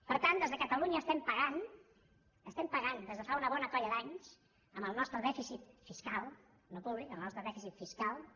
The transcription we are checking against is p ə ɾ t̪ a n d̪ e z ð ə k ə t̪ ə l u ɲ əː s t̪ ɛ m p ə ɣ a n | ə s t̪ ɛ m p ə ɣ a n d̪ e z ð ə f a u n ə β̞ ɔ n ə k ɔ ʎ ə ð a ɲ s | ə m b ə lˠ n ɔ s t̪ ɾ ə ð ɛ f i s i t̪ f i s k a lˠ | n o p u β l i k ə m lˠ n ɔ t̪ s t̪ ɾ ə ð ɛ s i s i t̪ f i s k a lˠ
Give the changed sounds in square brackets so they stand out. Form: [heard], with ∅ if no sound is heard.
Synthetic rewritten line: p ə ɾ t̪ a n d̪ e z ð ə k ə t̪ ə l u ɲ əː s t̪ ɛ m p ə ɣ a n | ə s t̪ ɛ m p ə ɣ a n d̪ e z ð ə f a u n ə β̞ ɔ n ə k ɔ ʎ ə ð a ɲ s | ə m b ə lˠ n ɔ s t̪ ɾ ə ð ɛ f i s i t̪ f i s k a lˠ | n o p u β l i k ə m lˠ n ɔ [∅] s t̪ ɾ ə ð ɛ [f] i s i t̪ f i s k a lˠ